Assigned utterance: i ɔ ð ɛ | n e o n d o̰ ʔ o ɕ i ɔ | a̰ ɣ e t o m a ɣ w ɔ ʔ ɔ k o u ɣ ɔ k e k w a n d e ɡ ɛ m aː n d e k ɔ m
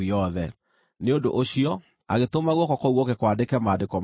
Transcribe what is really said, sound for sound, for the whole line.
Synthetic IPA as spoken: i ɔ ð ɛ | n e o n d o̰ ʔ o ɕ i ɔ | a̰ ɣ e t o m a ɣ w ɔ k ɔ k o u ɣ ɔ k e k w a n d e k ɛ m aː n d e k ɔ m